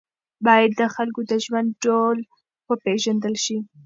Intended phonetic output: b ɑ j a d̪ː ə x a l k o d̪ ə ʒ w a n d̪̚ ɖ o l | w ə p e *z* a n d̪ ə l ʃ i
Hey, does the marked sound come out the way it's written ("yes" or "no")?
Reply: no